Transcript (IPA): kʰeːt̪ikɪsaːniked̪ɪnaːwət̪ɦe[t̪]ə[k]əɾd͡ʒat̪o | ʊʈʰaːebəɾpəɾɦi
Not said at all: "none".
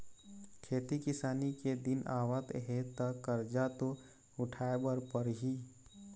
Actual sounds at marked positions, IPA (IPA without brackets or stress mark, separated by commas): t̪, k